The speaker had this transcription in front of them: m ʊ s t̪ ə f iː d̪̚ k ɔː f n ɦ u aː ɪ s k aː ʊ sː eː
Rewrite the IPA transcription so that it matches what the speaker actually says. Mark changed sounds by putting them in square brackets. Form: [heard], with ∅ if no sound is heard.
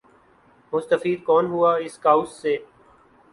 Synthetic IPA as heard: m ʊ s t̪ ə f iː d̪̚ k ɔː [∅] n ɦ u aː ɪ s k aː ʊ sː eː